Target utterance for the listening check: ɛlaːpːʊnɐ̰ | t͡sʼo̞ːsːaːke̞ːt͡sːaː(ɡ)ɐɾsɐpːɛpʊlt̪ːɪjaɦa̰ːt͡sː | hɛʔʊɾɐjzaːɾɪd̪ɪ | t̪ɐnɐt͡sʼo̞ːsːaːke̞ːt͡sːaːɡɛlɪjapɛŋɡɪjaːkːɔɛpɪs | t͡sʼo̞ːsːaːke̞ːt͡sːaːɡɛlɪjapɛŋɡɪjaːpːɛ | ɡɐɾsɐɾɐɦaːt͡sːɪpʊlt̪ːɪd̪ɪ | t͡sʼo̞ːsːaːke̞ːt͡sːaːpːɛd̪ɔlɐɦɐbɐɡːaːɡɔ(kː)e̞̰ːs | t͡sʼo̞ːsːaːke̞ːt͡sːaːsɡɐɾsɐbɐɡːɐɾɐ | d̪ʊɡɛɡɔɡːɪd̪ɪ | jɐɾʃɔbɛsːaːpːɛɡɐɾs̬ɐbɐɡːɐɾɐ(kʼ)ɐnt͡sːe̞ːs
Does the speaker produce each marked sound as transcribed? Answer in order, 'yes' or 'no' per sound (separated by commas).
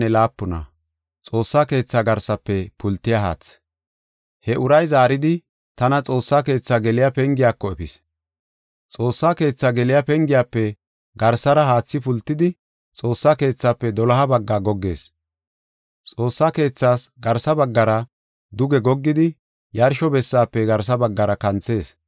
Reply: yes, no, no